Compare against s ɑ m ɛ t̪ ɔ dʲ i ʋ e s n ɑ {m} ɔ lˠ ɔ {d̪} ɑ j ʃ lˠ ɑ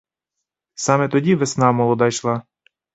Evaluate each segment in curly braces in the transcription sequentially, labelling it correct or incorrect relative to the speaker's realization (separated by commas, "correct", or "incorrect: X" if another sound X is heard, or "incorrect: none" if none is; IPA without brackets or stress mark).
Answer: correct, correct